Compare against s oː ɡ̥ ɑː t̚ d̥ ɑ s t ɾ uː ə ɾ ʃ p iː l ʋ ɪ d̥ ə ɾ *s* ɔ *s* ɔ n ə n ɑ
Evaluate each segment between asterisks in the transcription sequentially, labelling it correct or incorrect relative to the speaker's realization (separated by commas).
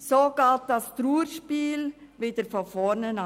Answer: incorrect, incorrect